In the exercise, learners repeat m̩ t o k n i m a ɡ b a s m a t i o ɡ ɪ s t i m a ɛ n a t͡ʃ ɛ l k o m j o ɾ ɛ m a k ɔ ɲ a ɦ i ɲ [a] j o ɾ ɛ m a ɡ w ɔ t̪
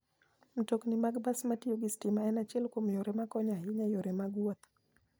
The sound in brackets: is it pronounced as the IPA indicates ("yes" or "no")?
yes